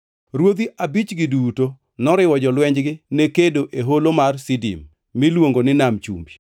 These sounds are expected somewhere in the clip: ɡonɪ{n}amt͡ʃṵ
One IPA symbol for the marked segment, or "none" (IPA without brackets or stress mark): n